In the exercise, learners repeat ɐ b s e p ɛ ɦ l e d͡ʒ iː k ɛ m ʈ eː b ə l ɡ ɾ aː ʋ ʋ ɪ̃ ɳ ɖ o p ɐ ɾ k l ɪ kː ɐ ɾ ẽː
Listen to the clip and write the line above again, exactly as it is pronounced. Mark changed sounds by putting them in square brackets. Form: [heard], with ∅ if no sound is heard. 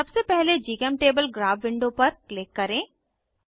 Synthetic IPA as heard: ɐ b s e p ɛ ɦ l e d͡ʒ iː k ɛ m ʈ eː b ə l ɡ ɾ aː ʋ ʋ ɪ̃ ɳ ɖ o p ɐ ɾ k l ɪ kː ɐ ɾ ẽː